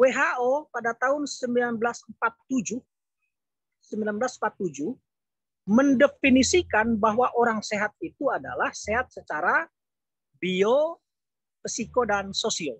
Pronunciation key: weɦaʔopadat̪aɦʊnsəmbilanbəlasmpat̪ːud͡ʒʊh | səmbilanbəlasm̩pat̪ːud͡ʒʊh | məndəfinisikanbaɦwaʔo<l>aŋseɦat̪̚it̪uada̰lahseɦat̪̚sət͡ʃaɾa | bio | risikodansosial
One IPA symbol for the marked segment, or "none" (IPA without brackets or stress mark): ɾ